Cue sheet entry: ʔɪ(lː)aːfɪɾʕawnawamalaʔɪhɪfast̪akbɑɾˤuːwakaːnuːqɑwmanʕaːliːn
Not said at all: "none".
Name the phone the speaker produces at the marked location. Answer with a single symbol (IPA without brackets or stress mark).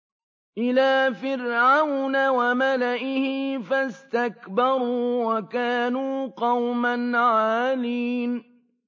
l